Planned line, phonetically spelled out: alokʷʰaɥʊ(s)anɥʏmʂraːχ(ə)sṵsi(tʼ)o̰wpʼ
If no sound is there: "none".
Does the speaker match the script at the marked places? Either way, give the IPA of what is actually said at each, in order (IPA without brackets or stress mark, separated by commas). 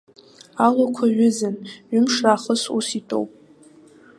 z, ə, tʼ